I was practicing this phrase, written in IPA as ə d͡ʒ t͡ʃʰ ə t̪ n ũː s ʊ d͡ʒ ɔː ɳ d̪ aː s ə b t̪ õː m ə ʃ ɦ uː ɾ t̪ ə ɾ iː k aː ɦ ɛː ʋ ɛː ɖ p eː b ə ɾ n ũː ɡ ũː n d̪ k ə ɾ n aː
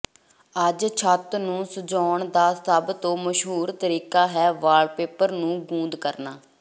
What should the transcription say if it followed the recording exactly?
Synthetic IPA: ə d͡ʒ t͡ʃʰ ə t̪ n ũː s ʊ d͡ʒ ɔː ɳ d̪ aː s ə b t̪ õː m ə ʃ ɦ uː ɾ t̪ ə ɾ iː k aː ɦ ɛː ʋ aː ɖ p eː p ə ɾ n ũː ɡ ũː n d̪ k ə ɾ n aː

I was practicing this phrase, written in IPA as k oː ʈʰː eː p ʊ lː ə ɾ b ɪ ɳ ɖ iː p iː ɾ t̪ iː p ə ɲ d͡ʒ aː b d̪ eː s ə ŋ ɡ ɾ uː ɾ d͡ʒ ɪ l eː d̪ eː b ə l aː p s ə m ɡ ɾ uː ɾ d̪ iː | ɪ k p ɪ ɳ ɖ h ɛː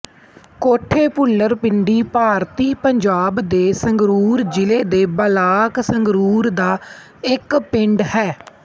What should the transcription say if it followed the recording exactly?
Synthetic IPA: k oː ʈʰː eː p ʊ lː ə ɾ p ɪ ɳ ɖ iː p aː ɾ t̪ iː p ə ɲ d͡ʒ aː b d̪ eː s ə ŋ ɡ ɾ uː ɾ d͡ʒ ɪ l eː d̪ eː b ə l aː k s ə ŋ ɡ ɾ uː ɾ d̪ aː | ɪ k p ɪ ɳ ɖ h ɛː

